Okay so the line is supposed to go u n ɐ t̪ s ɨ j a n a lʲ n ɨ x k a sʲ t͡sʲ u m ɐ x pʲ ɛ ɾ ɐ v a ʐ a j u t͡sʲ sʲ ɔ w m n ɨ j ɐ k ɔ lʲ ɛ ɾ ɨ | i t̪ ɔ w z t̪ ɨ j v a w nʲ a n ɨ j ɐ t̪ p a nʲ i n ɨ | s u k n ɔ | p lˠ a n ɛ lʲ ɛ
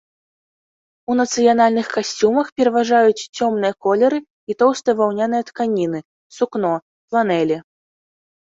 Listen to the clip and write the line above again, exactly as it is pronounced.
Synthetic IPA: u n ɐ t̪ s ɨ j a n a lʲ n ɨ x k a sʲ t͡sʲ u m ɐ x pʲ ɛ ɾ ɐ v a ʐ a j u t͡sʲ t͡sʲ ɔ m n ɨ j ɐ k ɔ lʲ ɛ ɾ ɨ | i t̪ ɔ w s t̪ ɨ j v a w nʲ a n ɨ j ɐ t̪ k a nʲ i n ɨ | s u k n ɔ | p lˠ a n ɛ lʲ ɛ